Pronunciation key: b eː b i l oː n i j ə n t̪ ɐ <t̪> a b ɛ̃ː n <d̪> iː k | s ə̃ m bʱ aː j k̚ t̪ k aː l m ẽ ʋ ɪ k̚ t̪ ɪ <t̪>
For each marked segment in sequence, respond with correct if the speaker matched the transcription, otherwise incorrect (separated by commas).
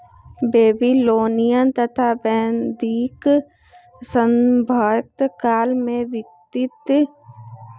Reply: incorrect, correct, correct